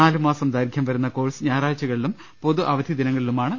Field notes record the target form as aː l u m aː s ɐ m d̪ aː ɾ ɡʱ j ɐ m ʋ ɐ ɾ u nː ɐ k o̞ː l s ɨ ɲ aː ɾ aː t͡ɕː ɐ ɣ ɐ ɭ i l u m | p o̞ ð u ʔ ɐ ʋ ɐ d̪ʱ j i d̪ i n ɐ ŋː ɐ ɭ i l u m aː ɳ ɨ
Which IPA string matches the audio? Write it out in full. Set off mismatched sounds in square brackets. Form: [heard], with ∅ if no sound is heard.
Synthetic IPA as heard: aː l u m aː s ɐ m d̪ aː ɾ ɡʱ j ɐ m ʋ ɐ ɾ u nː ɐ k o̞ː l s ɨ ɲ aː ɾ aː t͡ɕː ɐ ɣ ɐ ɭ i l u m | p o̞ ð u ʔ ɐ ʋ ɐ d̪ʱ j i d̪ i n ɐ ŋː ɐ ɭ i l u m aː ɳ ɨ